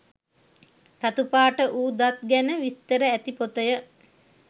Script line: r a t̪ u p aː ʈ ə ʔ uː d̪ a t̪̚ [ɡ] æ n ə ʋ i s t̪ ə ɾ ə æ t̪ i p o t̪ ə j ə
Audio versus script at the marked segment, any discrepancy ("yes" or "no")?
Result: no